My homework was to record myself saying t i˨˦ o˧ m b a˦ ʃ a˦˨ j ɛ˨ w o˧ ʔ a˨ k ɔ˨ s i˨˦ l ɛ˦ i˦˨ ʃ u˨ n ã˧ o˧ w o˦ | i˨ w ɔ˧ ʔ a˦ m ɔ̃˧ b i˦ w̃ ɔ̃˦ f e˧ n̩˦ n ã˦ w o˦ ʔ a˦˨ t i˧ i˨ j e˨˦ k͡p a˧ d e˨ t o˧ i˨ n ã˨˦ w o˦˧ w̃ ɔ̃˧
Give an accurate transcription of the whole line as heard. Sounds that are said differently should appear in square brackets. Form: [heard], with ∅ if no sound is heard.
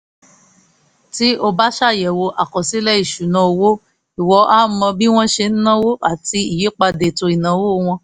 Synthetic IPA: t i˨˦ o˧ [∅] b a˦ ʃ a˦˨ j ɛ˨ w o˧ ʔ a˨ k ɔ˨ s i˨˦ l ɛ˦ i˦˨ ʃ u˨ n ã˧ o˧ w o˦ | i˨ w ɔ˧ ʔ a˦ m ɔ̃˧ b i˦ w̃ ɔ̃˦ [ʃ] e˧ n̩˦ n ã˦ w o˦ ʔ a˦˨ t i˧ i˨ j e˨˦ k͡p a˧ d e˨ t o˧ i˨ n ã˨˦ w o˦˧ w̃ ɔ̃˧